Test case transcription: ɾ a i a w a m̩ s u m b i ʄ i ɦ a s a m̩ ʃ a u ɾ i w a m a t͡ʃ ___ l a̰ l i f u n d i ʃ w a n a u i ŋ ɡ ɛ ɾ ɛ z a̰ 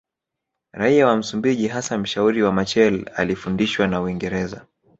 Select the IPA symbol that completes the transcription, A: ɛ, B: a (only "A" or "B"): A